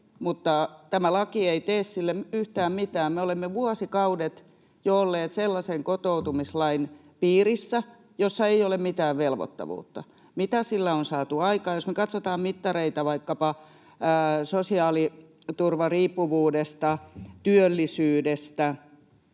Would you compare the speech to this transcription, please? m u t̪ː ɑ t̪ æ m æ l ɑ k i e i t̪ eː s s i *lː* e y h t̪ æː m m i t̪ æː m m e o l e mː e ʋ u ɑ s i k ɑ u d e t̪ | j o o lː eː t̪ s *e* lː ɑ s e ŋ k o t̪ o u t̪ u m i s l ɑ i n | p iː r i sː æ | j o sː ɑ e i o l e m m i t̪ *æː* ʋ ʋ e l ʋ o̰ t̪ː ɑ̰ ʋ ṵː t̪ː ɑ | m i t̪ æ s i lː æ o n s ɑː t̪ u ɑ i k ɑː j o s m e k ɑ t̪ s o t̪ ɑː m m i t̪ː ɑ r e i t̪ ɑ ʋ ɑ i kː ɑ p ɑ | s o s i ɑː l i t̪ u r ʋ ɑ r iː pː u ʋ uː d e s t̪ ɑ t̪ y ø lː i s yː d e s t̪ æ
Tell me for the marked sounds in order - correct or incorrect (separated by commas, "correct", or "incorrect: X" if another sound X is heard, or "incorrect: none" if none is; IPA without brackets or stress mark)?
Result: correct, correct, correct